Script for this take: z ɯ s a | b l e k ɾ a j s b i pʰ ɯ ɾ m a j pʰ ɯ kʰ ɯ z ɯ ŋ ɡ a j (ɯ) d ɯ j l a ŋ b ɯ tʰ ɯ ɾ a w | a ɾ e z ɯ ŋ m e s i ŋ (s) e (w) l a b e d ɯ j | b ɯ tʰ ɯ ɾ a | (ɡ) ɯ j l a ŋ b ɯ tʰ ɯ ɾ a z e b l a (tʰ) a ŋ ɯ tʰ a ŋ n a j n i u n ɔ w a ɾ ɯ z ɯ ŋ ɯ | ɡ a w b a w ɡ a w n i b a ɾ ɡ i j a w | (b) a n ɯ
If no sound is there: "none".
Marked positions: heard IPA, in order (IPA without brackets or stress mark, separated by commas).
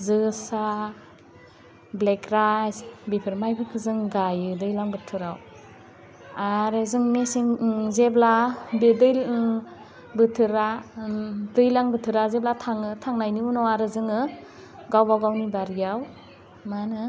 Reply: ɯ, z, b, d, tʰ, m